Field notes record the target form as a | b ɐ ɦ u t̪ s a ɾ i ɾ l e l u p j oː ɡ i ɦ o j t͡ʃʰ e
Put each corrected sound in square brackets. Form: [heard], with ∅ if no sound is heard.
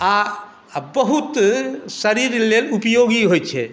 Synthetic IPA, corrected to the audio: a | b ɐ ɦ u t̪ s [ɐ] ɾ i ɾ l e l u p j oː ɡ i ɦ o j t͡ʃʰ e